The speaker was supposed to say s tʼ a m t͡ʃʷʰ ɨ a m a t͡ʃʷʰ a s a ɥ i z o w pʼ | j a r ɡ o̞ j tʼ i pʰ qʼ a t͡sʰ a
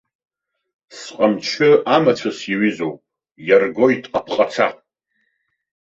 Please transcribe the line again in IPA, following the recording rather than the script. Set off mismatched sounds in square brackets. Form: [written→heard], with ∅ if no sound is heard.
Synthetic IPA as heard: s [tʼ→qʼ] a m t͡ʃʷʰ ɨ a m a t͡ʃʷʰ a s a ɥ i z o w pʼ | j a r ɡ o̞ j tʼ [i→a] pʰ qʼ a t͡sʰ a

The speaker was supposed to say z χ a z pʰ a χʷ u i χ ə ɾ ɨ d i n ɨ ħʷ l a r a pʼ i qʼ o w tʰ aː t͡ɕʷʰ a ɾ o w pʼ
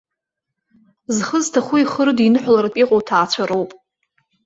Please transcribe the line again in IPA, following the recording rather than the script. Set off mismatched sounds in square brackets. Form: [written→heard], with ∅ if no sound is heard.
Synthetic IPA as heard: z χ [a→ə] z [pʰ→tʰ] a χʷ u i χ ə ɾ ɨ d i n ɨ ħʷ l a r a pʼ i qʼ o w tʰ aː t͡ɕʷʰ a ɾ o w pʼ

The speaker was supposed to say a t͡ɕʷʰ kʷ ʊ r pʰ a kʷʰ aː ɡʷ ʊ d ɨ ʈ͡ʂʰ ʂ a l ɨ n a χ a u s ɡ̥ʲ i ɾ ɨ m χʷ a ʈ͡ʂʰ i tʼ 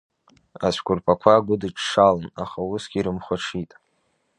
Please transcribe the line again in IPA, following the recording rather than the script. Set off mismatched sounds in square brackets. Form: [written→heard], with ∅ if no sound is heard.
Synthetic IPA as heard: a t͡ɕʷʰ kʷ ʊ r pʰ a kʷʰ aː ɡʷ ʊ d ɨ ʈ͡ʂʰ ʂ a l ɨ n a χ a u s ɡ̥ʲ i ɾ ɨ m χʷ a ʈ͡ʂʰ i tʼ

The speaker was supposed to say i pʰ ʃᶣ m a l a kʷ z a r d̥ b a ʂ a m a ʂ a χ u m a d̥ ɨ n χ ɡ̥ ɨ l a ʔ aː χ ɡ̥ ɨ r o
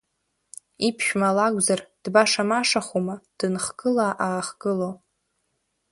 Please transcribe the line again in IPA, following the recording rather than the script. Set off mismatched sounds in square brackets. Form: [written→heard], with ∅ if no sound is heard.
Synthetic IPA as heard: i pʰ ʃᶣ m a l a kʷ z a r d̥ b a ʂ a m a ʂ a χ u m a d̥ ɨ n χ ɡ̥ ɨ l a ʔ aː χ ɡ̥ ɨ [r→l] o

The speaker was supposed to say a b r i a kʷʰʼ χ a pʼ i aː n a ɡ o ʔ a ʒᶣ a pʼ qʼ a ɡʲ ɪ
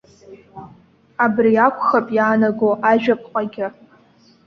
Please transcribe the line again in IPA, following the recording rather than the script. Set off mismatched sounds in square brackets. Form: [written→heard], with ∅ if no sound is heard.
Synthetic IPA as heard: a b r i a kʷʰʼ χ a pʼ [i→j] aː n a ɡ o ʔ a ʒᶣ a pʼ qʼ a ɡʲ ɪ

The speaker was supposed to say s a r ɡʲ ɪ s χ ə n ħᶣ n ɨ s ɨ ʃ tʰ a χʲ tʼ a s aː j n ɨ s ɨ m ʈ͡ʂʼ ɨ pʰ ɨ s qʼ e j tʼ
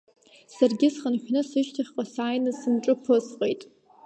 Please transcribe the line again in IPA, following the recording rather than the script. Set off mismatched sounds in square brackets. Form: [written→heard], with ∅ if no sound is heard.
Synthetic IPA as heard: s a r ɡʲ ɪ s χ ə n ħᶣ n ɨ s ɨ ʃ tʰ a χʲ [tʼ→qʼ] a s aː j n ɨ s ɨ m ʈ͡ʂʼ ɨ pʰ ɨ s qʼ e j tʼ

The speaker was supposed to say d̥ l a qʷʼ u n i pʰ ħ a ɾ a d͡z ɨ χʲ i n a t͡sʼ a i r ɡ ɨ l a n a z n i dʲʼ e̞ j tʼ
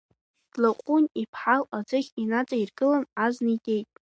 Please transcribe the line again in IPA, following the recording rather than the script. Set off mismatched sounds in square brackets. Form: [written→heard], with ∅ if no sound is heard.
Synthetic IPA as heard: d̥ l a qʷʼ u n i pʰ ħ a [ɾ→l] a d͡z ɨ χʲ i n a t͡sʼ a i r ɡ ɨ l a n a z n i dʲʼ e̞ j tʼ

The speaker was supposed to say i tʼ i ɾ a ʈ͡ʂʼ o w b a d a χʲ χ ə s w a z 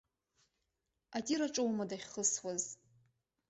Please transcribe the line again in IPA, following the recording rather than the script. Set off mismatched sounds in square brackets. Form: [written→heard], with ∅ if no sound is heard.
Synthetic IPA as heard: [i→a] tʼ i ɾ a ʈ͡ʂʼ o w [b→m] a d a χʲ χ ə s w a z

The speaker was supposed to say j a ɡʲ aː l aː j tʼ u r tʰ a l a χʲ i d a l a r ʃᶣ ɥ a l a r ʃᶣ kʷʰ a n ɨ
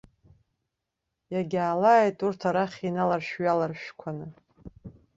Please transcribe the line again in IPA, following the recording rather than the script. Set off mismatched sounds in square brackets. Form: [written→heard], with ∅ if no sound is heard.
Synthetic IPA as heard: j a ɡʲ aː l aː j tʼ u r tʰ a [l→ɾ] a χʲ i [d→n] a l a r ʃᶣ ɥ a l a r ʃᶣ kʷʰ a n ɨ

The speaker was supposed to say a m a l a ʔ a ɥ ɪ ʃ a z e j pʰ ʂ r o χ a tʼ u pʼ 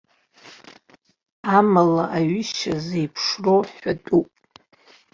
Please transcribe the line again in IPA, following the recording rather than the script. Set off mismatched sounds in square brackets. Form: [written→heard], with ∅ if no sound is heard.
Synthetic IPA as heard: a m a l a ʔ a ɥ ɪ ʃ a z e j pʰ ʂ r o [χ→ħ] a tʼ u pʼ

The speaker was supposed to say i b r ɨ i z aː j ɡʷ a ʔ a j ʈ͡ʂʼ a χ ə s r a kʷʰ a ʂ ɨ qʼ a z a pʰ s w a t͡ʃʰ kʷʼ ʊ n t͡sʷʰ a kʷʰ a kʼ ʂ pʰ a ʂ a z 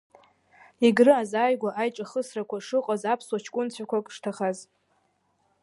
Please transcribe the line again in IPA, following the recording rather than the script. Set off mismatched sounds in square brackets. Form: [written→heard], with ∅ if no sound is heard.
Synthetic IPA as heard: i [b→ɡ] r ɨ [i→a] z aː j ɡʷ a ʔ a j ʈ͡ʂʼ a χ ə s r a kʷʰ a ʂ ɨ qʼ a z a pʰ s w a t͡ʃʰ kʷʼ ʊ n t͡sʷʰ a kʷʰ a kʼ ʂ [pʰ→tʰ] a [ʂ→χ] a z

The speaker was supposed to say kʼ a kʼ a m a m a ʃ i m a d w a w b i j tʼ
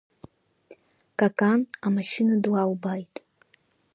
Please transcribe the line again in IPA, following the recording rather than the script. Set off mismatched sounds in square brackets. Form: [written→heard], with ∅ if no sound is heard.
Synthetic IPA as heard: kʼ a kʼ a [m→n] a m a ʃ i [m→n] a d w a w b [i→a] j tʼ

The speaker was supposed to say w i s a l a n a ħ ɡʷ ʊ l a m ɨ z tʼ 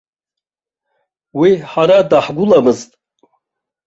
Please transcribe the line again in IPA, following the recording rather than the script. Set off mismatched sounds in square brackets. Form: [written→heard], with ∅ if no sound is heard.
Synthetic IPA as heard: w i [s→ħ] a [l→ɾ] a [n→d] a ħ ɡʷ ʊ l a m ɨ z tʼ

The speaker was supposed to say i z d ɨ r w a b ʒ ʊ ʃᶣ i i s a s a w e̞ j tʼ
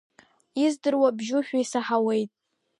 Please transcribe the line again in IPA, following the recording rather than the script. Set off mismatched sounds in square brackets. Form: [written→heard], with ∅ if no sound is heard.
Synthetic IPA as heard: i z d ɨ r w a b ʒ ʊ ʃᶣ [i→a] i s a [s→ħ] a w e̞ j tʼ

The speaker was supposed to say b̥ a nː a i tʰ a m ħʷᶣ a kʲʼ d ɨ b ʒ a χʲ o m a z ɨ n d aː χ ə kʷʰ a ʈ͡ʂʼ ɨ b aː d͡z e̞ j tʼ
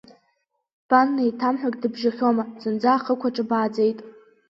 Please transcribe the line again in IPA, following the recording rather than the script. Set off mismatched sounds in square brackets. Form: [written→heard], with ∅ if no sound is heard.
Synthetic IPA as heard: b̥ a nː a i tʰ a m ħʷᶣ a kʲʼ d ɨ b ʒ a χʲ o m a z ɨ n [d→d͡z] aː χ ə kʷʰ a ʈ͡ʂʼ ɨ b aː d͡z e̞ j tʼ

